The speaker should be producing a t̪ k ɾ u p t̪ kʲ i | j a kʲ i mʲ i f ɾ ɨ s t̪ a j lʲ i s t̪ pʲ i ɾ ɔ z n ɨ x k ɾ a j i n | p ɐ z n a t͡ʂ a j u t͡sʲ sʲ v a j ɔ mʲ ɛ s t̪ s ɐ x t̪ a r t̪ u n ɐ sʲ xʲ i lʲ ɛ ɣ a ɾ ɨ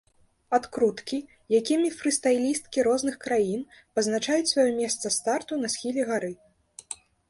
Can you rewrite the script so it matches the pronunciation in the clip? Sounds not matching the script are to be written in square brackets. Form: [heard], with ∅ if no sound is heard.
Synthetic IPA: a t̪ k ɾ u [∅] t̪ kʲ i | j a kʲ i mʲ i f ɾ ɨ s t̪ a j lʲ i s t̪ [kʲ] i ɾ ɔ z n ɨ x k ɾ a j i n | p ɐ z n a t͡ʂ a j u t͡sʲ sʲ v a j ɔ mʲ ɛ s t̪ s ɐ [s] t̪ a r t̪ u n ɐ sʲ xʲ i lʲ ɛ ɣ a ɾ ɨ